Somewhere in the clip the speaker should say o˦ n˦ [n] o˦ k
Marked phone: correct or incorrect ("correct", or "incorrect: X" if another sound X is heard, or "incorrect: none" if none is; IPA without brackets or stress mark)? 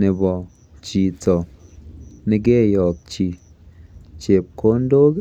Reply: incorrect: d